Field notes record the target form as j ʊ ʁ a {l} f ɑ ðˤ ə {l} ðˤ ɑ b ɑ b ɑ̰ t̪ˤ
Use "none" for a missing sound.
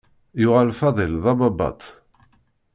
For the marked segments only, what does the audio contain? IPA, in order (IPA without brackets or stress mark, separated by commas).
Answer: l, l